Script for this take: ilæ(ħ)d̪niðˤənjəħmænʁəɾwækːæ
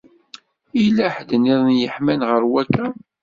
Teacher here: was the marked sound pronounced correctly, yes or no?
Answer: yes